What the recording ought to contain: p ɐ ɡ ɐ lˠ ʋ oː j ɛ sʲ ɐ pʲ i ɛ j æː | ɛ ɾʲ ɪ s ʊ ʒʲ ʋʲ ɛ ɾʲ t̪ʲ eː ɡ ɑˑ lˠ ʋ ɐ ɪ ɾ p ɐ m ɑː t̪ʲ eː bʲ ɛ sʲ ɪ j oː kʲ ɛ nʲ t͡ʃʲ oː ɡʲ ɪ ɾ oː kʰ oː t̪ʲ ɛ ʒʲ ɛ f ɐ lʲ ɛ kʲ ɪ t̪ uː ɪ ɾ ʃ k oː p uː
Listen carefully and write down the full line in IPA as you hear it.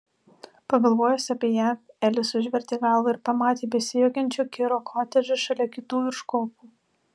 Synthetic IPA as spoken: p ɐ ɡ ɐ lˠ ʋ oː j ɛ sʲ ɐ pʲ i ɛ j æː | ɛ lʲ ɪ s ʊ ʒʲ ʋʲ ɛ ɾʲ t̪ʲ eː ɡ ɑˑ lˠ ʋ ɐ ɪ ɾ p ɐ m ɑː t̪ʲ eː bʲ ɛ sʲ ɪ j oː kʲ ɛ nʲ t͡ʃʲ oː kʲ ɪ ɾ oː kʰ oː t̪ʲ ɛ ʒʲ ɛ ʃ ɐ lʲ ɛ kʲ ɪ t̪ uː ɪ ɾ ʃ k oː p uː

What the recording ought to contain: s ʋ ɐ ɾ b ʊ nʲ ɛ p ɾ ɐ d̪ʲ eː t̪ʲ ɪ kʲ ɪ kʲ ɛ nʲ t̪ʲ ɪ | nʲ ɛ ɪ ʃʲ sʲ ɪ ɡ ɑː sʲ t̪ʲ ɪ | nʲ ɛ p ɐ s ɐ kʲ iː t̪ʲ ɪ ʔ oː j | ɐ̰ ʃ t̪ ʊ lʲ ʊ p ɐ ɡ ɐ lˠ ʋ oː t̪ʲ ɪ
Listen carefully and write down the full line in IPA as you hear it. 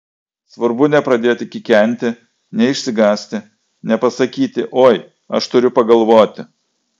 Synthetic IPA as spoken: s ʋ ɐ ɾ b ʊ nʲ ɛ p ɾ ɐ d̪ʲ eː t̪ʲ ɪ kʲ ɪ kʲ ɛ nʲ t̪ʲ ɪ | nʲ ɛ ɪ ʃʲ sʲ ɪ ɡ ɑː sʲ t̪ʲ ɪ | nʲ ɛ p ɐ s ɐ kʲ iː t̪ʲ ɪ ʔ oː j | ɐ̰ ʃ t̪ ʊ ɾʲ ʊ p ɐ ɡ ɐ lˠ ʋ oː t̪ʲ ɪ

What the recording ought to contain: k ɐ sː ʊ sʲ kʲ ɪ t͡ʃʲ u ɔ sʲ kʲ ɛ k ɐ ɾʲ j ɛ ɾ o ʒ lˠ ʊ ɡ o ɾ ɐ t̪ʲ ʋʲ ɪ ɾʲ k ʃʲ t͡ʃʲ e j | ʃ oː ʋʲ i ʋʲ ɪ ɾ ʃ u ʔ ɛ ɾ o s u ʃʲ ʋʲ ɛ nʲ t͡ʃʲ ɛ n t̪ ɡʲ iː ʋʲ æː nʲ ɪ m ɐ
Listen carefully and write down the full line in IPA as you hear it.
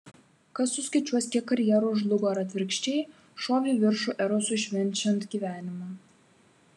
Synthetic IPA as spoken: k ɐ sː ʊ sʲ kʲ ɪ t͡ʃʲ u ɔ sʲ kʲ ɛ k ɐ ɾʲ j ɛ ɾ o ʒ lˠ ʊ ɡ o ɾ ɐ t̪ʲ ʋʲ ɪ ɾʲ k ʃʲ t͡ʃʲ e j | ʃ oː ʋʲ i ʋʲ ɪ ɾ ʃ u ʔ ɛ ɾ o s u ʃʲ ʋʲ ɛ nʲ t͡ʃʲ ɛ n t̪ ɡʲ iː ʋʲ æː nʲ ɪ m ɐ

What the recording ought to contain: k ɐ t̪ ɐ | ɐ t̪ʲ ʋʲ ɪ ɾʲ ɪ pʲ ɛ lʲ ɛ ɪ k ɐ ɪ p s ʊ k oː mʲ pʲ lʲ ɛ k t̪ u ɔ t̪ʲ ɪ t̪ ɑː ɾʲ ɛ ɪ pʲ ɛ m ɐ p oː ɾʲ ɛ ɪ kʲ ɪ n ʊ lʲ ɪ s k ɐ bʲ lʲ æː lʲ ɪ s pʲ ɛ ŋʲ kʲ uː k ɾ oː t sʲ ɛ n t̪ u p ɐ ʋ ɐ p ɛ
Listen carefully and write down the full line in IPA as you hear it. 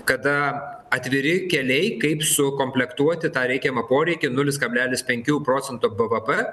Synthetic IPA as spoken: k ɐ d̪ ɐ | ɐ t̪ʲ ʋʲ ɪ ɾʲ ɪ kʲ ɛ lʲ ɛ ɪ k ɐ ɪ p s ʊ k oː mʲ pʲ lʲ ɛ k t̪ u ɔ t̪ʲ ɪ t̪ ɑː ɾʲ ɛ ɪ kʲ ɛ m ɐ p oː ɾʲ ɛ ɪ kʲ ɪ n ʊ lʲ ɪ s k ɐ bʲ lʲ æː lʲ ɪ s pʲ ɛ ŋʲ kʲ uː p ɾ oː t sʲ ɛ n t̪ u b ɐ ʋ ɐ p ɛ

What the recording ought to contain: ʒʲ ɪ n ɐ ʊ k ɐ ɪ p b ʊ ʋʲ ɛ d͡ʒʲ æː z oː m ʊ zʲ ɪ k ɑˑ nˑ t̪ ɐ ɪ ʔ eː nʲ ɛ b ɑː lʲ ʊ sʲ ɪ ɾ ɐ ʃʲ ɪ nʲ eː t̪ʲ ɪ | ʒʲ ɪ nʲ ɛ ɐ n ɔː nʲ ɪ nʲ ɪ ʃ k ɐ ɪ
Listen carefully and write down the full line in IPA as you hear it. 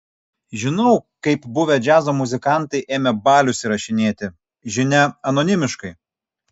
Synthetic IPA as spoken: ʒʲ ɪ n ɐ ʊ k ɐ ɪ p b ʊ ʋʲ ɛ d͡ʒʲ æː z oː m ʊ zʲ ɪ k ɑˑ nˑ t̪ ɐ ɪ ʔ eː mʲ ɛ b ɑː lʲ ʊ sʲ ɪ ɾ ɐ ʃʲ ɪ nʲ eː t̪ʲ ɪ | ʒʲ ɪ nʲ ɛ ɐ n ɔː nʲ ɪ mʲ ɪ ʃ k ɐ ɪ

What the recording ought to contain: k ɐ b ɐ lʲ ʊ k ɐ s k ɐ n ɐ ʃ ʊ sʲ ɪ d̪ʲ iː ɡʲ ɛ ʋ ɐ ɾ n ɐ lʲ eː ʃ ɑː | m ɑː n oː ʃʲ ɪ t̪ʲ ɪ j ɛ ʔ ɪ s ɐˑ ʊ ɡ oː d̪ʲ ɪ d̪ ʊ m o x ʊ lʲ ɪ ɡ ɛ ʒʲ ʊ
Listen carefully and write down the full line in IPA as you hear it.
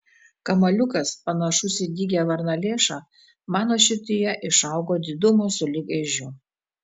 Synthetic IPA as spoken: k ɐ m ɐ lʲ ʊ k ɐ s p ɐ n ɐ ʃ ʊ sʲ ɪ d̪ʲ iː ɡʲ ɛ ʋ ɐ ɾ n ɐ lʲ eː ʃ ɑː | m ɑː n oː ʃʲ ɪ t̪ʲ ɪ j ɛ ʔ ɪ ʃ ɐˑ ʊ ɡ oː d̪ʲ ɪ d̪ ʊ m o s ʊ lʲ ɪ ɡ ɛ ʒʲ ʊ

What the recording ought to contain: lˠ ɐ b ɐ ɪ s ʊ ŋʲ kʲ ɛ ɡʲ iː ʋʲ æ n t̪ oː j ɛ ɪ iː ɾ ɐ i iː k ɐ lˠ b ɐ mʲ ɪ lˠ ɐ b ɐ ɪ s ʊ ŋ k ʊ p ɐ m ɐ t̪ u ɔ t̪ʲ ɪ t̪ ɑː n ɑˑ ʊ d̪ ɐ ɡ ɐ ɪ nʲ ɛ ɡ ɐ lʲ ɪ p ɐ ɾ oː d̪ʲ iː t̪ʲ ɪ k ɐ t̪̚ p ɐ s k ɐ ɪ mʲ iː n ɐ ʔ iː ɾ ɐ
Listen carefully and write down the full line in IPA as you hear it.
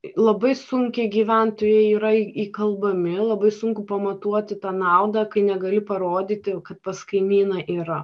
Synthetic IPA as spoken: lˠ ɐ b ɐ ɪ s ʊ ŋʲ kʲ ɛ ɡʲ iː ʋʲ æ n t̪ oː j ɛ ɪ iː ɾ ɐ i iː k ɐ lˠ b ɐ mʲ ɪ lˠ ɐ b ɐ ɪ s ʊ ŋ k ʊ p ɐ m ɐ t̪ u ɔ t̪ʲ ɪ t̪ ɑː n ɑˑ ʊ d̪ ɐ k ɐ ɪ nʲ ɛ ɡ ɐ lʲ ɪ p ɐ ɾ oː d̪ʲ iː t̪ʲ ɪ k ɐ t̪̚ p ɐ s k ɐ ɪ mʲ iː n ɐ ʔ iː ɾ ɐ

